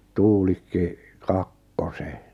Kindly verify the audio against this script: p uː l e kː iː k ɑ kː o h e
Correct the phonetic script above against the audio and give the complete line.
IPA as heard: t uː l i kː i k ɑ kː o s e

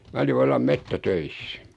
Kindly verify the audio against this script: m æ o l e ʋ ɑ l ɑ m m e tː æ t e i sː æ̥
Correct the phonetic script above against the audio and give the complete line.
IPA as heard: m æ o l i ʋ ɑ lː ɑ m m e tː æ t ø i sː æ̥

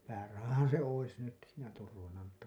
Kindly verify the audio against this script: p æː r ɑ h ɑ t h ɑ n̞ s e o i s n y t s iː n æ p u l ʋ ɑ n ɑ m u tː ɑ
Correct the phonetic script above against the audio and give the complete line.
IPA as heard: p æː r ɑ h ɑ h ɑ n̞ s e o i s n y t s iː n æ t u r ʋ ɑ n ɑ m u tː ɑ

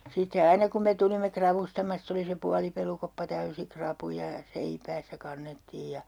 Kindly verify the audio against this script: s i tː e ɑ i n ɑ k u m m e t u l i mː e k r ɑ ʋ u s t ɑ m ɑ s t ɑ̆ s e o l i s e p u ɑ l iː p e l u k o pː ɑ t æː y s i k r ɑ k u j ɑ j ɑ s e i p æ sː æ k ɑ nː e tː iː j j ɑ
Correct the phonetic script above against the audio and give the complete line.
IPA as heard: s i tː e ɑ i n ɑ k u m m e t u l i mː e k r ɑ ʋ u s t ɑ m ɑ s t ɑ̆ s e o l i s e p u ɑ l i p e l u k o pː ɑ t æ y s i k r ɑ p u j ɑ j ɑ s e i p æː sː æ k ɑ nː e tː iː j j ɑ

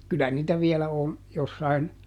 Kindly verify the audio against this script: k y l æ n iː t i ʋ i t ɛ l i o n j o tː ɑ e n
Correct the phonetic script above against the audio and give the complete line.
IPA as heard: k y l æ n iː t æ ʋ i ɛ l æ o n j o sː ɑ i n

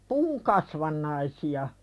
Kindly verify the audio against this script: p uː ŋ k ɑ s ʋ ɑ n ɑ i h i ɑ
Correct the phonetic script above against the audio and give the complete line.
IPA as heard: p uː ŋ k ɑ s ʋ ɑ nː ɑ i s i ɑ

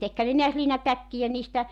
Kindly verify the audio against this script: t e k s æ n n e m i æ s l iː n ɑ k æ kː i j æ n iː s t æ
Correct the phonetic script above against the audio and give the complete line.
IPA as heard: t e k h æ n n e n i æ s l iː n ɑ t æ kː i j æ n iː s t æ

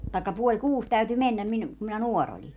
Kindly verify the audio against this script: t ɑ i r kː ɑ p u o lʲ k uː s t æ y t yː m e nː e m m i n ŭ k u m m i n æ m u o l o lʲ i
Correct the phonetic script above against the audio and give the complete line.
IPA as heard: t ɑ i kː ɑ p u o lʲ k uː s t æ y t y m e nː æ m m i n ŭ k u m m i n æ n u o r o lʲ i

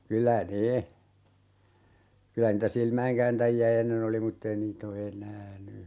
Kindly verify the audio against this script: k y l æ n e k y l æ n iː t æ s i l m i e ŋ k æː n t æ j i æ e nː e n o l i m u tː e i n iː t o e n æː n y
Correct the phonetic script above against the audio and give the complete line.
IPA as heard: k y l æ n e k y l æ n iː t æ s i l m æ e ŋ k æː n t æ j i æ e nː e n o l i m u tː e i n iː t o e n æː n y

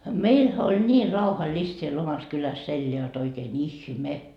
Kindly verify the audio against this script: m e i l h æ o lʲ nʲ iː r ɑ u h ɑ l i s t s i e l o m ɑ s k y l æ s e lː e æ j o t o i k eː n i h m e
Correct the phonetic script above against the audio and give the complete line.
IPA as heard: m e i l h æ o lʲ nʲ iː r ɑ u h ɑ l i s t s i e l o m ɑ s k y l æ s e lː e æ j o t o i k eː n i h m e

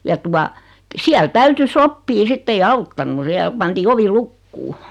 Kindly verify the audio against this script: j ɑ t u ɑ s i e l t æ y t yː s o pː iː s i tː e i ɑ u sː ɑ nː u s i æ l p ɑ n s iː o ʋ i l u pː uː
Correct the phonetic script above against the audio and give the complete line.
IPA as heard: j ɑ t u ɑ s i æ l t æ y t yː s o pː iː s i tː e i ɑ u tː ɑ nː u s i æ l p ɑ n t iː o ʋ i l u kː uː

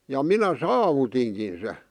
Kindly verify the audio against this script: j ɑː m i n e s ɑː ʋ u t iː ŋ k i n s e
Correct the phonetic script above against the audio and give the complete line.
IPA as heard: j ɑ m i n æ s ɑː ʋ u t i ŋ k i n s e

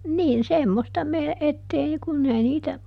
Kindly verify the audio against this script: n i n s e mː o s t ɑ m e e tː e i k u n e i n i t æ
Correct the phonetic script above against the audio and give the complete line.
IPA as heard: n iː n s e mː o s t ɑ m e e tː e i k u nː e i n iː t æ

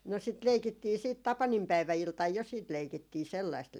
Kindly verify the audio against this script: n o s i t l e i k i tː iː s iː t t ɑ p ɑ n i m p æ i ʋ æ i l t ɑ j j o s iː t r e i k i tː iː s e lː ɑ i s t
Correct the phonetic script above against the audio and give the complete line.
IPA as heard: n o s i t l e i k i tː iː s iː t t ɑ p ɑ n i m p æ i ʋ æ i l t ɑ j j o s iː t l e i k i tː iː s e lː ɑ i s t

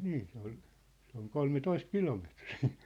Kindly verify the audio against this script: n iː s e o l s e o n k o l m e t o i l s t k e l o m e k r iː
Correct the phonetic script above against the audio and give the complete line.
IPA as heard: n iː s e o l s e o ŋ k o l m e t o i s t k i l o m e t r iː

